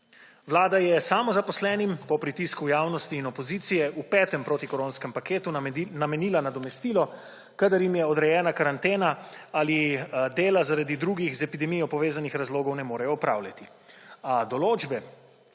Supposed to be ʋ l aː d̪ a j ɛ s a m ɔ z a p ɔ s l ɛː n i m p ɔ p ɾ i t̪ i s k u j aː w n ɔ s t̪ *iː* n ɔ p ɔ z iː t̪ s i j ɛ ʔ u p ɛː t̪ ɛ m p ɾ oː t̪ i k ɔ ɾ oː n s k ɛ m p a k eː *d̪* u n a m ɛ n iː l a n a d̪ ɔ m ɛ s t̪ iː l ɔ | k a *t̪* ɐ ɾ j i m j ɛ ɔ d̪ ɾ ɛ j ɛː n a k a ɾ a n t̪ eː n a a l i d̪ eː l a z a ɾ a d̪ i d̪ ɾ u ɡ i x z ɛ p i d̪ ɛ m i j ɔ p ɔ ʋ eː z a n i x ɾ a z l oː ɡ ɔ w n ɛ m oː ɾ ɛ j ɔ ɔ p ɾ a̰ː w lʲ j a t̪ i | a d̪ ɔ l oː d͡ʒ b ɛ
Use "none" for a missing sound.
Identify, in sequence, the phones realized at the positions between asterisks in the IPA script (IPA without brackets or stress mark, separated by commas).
iː, t̪, d̪